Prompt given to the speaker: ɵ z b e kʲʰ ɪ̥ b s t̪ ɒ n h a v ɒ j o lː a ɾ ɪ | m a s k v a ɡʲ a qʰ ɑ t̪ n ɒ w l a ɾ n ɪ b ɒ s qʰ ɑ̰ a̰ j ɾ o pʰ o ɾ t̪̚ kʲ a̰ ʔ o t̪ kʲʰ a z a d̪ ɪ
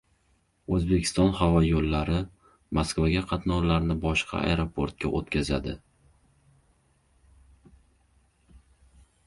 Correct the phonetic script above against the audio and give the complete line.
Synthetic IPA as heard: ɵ z b e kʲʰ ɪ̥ s t̪ ɒ n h a v ɒ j o lː a ɾ ɪ | m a s k v a ɡʲ a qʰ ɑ t̪ n ɒ w l a ɾ n ɪ b ɒ ʃ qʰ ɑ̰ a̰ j ɾ o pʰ o ɾ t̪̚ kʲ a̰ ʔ o t̪ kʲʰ a z a d̪ ɪ